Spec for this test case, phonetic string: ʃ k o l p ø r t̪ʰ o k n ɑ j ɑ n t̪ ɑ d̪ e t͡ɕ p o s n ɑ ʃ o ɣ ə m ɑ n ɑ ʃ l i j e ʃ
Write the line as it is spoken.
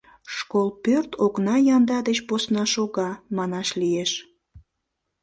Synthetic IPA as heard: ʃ k o l p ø r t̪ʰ o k n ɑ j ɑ n d̪ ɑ d̪ e t͡ɕ p o s n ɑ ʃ o ɣ ɑ m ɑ n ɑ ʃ l i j e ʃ